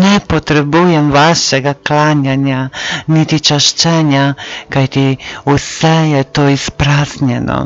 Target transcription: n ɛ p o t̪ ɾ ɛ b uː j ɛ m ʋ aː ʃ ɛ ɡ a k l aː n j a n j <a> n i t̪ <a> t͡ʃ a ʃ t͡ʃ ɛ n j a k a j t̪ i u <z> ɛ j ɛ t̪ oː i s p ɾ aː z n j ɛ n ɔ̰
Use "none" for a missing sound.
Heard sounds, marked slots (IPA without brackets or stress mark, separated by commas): a, i, s